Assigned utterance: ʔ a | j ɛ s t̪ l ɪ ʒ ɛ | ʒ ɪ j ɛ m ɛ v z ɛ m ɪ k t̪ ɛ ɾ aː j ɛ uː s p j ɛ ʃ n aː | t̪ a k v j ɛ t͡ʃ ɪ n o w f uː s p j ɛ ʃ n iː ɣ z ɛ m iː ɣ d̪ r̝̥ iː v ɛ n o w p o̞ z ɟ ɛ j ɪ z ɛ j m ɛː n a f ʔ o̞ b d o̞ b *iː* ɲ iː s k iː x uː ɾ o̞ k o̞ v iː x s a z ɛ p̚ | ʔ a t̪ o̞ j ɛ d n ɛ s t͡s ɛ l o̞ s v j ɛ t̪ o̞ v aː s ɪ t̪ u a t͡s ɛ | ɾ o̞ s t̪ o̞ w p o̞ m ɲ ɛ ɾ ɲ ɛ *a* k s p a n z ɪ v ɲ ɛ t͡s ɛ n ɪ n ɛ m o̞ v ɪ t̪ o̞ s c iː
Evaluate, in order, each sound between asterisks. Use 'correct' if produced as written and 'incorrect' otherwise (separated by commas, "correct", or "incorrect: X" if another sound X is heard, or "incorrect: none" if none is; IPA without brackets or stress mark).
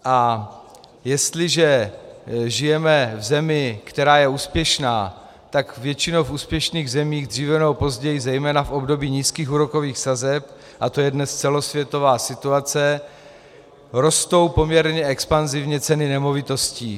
correct, incorrect: ɛ